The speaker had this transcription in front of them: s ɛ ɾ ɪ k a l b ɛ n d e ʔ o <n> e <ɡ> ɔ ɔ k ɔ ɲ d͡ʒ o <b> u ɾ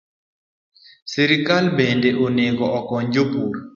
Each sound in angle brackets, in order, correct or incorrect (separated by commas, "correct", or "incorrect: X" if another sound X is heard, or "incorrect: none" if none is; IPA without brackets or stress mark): correct, correct, incorrect: p